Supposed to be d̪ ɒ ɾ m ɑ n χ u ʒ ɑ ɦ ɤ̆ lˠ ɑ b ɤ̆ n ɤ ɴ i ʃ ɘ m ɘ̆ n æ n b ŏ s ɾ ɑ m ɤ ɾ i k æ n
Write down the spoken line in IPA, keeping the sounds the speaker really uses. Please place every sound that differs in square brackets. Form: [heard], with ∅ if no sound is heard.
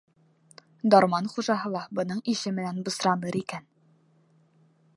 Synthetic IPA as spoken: d̪ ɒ ɾ m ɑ n χ u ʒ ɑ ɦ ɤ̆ lˠ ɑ b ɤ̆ n ɤ ɴ i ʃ ɘ m ɘ̆ n æ n b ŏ s ɾ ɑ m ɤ ɾ i k æ n